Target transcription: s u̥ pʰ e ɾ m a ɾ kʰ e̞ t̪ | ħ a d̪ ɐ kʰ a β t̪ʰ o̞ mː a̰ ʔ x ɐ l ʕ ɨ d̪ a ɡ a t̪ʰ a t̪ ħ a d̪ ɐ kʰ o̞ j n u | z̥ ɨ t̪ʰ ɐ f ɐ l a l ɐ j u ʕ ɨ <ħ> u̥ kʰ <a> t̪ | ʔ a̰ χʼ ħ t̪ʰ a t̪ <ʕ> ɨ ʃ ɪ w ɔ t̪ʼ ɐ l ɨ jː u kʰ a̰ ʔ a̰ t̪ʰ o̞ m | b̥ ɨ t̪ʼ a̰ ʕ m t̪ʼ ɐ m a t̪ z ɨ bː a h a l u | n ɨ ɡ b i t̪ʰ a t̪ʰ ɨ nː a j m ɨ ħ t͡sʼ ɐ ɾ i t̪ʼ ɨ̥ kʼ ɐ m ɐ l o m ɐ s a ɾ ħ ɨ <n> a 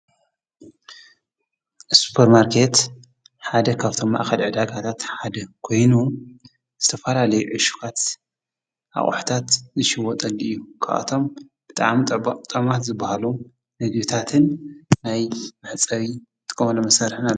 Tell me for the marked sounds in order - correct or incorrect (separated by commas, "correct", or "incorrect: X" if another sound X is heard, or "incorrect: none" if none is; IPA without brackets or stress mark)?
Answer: incorrect: ʃ, correct, incorrect: z, correct